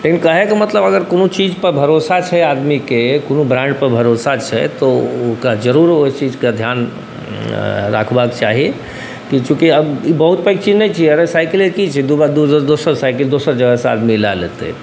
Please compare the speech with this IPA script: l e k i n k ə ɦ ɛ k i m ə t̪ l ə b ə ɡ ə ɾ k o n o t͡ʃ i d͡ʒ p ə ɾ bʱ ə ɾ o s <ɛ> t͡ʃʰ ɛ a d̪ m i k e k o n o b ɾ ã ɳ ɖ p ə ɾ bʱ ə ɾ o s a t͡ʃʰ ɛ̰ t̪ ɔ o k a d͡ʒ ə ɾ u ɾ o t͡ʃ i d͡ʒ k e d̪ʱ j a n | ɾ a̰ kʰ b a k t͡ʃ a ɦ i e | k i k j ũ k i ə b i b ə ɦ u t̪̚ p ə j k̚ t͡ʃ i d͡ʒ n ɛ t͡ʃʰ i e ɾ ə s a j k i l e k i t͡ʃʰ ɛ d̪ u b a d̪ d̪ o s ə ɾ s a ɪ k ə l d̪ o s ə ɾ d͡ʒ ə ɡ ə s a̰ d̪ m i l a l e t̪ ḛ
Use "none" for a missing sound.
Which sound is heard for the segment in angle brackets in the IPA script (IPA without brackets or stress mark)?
a